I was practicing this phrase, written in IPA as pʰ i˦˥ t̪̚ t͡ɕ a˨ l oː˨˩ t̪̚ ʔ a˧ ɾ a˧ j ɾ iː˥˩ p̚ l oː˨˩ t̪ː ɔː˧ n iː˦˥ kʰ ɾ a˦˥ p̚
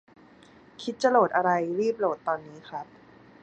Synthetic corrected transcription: kʰ i˦˥ t̪̚ t͡ɕ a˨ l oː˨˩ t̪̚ ʔ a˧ ɾ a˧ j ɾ iː˥˩ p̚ l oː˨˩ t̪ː ɔː˧ nː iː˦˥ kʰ ɾ a˦˥ p̚